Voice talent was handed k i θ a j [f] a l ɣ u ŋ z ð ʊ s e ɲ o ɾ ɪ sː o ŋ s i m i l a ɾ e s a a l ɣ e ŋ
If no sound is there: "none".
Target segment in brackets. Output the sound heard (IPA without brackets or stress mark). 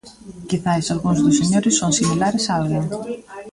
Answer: s